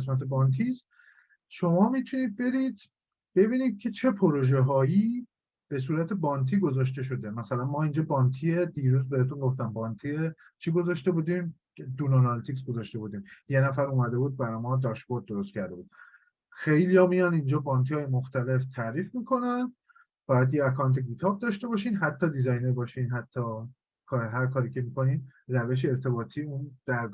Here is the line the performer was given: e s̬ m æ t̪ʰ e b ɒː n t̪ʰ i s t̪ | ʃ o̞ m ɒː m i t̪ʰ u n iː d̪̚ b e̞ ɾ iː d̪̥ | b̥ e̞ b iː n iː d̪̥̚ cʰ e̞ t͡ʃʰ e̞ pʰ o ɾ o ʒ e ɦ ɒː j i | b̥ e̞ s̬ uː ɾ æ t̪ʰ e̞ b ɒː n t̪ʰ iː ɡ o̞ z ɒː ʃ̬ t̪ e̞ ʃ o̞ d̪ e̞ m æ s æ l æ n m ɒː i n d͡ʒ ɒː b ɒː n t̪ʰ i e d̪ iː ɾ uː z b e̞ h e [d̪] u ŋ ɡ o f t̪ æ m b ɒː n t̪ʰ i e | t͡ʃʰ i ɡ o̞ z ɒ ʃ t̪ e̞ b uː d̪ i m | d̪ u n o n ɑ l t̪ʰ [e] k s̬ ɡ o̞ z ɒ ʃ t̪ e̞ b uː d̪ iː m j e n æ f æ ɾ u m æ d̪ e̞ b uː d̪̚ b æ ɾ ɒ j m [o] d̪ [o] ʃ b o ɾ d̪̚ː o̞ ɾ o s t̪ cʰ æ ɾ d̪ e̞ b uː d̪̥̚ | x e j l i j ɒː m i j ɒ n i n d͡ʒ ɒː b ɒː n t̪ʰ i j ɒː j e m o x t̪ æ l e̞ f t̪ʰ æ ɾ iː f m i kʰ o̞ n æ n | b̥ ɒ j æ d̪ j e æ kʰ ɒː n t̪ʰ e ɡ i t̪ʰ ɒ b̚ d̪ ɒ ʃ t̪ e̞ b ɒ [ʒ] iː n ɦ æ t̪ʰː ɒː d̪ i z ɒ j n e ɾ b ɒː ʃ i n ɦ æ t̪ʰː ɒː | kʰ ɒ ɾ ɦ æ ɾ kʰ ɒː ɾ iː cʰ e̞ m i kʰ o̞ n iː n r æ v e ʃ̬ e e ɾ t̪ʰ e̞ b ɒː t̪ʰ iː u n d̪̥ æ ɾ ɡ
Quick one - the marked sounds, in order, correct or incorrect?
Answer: incorrect: t̪, incorrect: i, incorrect: ɒ, incorrect: ɒ, incorrect: ʃ

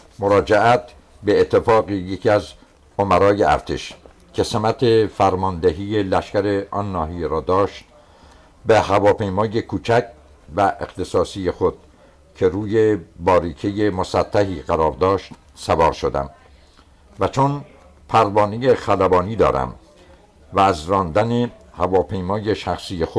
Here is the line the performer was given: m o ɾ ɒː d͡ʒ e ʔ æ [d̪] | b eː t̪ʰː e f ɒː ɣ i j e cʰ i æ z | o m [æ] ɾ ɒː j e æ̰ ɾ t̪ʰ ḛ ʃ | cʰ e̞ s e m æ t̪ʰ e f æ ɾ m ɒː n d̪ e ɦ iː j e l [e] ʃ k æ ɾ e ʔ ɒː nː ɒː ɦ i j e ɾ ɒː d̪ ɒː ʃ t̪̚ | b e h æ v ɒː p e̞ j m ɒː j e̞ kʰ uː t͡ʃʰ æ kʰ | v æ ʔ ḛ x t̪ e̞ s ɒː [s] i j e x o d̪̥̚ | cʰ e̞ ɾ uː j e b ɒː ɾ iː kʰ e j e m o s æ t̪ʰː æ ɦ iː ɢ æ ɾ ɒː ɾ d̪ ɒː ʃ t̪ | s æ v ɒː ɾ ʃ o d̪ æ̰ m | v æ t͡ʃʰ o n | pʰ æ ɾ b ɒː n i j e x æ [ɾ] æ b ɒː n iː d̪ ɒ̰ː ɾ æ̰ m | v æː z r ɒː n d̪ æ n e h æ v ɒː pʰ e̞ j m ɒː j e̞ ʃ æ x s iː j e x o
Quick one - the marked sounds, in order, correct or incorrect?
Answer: incorrect: t̪, correct, incorrect: æ, correct, incorrect: l

